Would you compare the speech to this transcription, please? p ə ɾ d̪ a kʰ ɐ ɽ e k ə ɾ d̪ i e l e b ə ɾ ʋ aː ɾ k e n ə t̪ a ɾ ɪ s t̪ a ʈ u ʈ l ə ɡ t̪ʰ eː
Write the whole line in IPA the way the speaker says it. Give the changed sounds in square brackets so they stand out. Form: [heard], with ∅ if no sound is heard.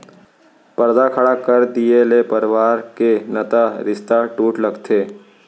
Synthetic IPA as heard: p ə ɾ d̪ a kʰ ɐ ɽ [a] k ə ɾ d̪ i e l e [p] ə ɾ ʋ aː ɾ k e n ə t̪ a ɾ ɪ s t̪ a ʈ [uː] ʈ l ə ɡ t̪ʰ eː